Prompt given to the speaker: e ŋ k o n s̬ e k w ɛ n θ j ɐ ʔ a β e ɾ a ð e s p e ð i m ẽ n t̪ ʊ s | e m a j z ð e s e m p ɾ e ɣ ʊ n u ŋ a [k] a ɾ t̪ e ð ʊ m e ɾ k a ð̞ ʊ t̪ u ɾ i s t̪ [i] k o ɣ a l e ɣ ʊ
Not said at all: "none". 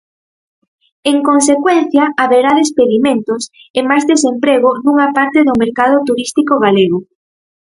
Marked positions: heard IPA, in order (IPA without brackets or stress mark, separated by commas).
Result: p, i